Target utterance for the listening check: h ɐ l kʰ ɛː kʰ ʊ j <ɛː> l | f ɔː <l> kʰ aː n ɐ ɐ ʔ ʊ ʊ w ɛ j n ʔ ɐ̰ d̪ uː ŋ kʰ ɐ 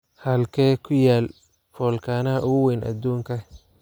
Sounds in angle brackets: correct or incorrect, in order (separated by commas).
incorrect, correct